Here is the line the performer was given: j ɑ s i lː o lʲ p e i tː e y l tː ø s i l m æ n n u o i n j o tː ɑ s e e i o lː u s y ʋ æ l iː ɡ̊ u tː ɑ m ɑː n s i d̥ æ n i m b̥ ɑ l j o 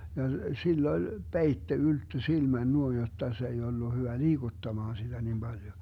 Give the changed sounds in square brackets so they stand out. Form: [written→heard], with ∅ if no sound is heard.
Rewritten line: j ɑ s i lː o lʲ p e i tː e y l tː ø s i l m æ n n u o i n j o tː ɑ s e e i o lː u [s→h] y ʋ æ l iː ɡ̊ u tː ɑ m ɑː n s i d̥ æ n i m b̥ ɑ l j o